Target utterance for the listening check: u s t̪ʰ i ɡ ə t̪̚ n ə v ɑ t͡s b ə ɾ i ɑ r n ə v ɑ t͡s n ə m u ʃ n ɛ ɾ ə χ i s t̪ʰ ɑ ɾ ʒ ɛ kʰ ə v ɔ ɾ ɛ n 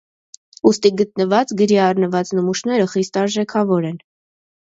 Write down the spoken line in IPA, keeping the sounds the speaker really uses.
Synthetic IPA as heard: u s t̪ i ɡ ə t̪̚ n ə v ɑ t͡s ɡ ə ɾ i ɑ r n ə v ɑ t͡s n ə m u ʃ n ɛ ɾ ə χ i s t̪ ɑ ɾ ʒ ɛ kʰ ɑ v ɔ ɾ ɛ n